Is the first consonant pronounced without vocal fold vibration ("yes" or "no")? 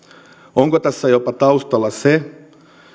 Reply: no